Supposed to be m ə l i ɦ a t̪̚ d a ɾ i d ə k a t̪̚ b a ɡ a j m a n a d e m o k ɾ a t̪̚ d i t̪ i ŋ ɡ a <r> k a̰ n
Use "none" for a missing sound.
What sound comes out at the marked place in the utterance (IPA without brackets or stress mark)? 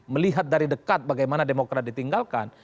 l